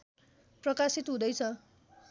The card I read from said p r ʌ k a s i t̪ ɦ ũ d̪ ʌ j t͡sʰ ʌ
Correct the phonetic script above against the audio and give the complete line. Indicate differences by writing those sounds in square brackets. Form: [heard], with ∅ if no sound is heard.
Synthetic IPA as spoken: p r ʌ k a s i t̪ ɦ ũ d̪ ʌ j t͡sʰ ʌ